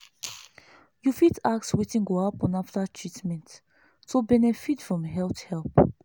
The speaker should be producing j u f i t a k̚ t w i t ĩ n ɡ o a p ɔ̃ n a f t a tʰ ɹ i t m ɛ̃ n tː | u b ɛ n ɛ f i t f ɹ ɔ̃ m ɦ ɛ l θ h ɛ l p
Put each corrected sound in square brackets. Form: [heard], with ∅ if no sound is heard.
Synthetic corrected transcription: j u f i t a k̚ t w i t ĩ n ɡ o a p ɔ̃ n a f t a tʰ ɹ i t m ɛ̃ n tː | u b ɛ n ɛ f i t f ɹ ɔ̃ m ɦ ɛ l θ h ɛ l p